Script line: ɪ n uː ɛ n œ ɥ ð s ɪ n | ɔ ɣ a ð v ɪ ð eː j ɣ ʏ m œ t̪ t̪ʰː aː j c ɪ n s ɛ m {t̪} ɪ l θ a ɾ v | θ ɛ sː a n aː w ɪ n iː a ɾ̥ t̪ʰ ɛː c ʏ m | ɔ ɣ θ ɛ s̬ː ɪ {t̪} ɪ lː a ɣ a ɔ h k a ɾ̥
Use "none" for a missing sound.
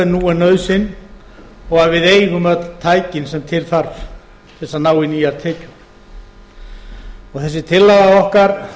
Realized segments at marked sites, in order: t̪ʰ, t̪ʰ

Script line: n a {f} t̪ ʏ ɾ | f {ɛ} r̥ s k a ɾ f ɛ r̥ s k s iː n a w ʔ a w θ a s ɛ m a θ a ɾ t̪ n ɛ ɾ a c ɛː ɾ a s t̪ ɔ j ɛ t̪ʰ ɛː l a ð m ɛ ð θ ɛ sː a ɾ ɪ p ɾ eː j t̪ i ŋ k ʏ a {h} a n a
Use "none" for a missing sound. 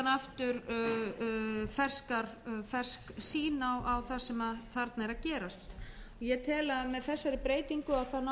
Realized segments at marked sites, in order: f, ɛ, θ

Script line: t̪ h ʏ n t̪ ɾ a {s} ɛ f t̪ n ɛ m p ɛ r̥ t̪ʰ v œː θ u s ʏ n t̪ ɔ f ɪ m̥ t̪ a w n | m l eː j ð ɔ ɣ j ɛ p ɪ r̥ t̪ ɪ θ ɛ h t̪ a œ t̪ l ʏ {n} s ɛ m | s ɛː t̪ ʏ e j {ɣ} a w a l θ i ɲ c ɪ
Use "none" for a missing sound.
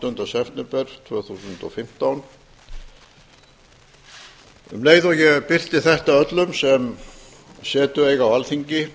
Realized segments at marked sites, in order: s, m, ɣ

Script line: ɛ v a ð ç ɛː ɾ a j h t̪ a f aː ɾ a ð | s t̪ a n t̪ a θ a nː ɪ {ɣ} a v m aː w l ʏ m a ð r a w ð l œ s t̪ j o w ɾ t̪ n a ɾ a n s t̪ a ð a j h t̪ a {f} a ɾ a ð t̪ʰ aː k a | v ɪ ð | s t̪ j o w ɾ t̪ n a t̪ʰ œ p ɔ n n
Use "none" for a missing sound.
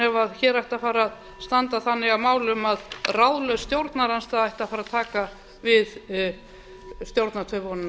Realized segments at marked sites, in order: ɣ, f

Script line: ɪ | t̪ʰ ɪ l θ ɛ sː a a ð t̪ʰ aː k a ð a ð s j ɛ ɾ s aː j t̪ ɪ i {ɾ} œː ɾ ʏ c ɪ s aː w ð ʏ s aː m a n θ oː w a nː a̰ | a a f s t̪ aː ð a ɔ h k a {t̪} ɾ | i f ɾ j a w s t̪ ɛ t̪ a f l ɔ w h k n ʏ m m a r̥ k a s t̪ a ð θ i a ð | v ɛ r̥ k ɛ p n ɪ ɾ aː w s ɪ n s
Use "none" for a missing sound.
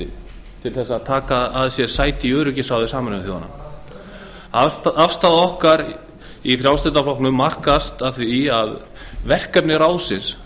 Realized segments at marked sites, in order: none, none

